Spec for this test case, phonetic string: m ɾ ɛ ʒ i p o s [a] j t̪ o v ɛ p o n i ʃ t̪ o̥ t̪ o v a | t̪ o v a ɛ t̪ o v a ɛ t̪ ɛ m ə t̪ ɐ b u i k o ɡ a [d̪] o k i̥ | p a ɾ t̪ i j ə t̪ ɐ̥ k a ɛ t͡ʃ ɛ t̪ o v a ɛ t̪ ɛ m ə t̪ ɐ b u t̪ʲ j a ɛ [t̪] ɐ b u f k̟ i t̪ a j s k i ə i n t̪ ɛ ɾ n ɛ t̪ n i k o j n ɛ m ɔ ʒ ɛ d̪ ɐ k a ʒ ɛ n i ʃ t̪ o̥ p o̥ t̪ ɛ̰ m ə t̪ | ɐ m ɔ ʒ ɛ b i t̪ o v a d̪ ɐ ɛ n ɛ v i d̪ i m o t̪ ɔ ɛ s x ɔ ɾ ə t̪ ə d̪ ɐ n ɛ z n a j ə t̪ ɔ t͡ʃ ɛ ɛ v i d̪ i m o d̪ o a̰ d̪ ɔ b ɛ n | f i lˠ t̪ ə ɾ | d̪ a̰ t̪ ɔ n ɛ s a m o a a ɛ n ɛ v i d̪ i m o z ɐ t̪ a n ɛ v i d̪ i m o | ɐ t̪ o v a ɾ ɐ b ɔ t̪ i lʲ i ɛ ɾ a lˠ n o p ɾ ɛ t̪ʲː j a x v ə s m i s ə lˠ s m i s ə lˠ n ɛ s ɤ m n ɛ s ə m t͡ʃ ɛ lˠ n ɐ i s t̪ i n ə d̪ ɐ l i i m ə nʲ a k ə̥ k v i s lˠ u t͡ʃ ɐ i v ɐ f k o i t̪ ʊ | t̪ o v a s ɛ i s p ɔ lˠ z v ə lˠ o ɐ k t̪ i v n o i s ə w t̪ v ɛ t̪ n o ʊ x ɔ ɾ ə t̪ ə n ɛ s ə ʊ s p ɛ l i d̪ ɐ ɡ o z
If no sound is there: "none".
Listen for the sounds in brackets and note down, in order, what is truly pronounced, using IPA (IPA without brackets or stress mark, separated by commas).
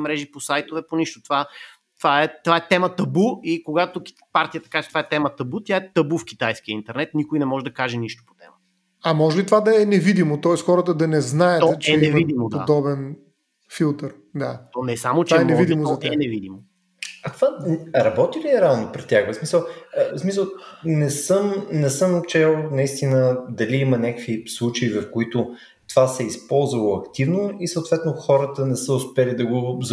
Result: a, t̪, t̪